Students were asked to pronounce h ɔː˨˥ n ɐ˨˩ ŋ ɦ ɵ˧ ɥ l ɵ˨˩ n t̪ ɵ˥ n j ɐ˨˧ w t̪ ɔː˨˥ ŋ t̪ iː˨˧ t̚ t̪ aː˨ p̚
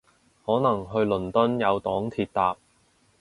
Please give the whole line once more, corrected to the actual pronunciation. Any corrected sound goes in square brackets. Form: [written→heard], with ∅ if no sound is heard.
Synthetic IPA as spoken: h ɔː˨˥ n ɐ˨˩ ŋ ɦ ɵ˧ ɥ l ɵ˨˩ n t̪ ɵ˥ n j ɐ˨˧ w t̪ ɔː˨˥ ŋ [t̪→t̪ʰ] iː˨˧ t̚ t̪ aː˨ p̚